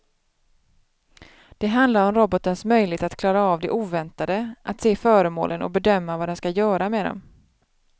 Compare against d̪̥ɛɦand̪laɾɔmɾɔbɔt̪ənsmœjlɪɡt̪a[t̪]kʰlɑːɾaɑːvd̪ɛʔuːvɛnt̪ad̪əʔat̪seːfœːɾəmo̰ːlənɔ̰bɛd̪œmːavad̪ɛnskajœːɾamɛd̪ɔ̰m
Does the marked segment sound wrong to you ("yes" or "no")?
no